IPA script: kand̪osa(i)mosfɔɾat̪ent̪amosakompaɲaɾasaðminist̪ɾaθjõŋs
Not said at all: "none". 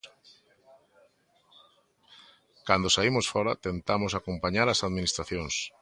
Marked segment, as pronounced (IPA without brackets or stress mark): i